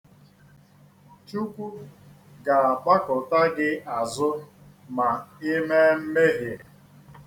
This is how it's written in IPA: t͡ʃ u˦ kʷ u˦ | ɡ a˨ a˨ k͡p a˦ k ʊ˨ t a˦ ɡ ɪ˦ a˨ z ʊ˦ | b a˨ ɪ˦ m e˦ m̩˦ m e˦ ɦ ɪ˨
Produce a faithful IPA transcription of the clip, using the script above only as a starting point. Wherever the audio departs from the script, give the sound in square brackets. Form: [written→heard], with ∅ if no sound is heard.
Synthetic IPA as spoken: t͡ʃ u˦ kʷ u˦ | ɡ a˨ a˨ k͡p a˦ k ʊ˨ t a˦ ɡ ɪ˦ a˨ z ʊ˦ | [b→m] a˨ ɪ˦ m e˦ m̩˦ m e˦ ɦ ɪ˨